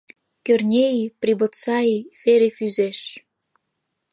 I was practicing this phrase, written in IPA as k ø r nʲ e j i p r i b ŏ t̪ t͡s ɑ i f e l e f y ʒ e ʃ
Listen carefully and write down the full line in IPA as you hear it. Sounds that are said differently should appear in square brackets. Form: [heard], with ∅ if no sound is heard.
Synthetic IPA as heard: k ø r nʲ e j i p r i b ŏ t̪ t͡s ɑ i f e [ɾ] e f y [z] e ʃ